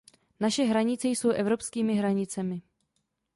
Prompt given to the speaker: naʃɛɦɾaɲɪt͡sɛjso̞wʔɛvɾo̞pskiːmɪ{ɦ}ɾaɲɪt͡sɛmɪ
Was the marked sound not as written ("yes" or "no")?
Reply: no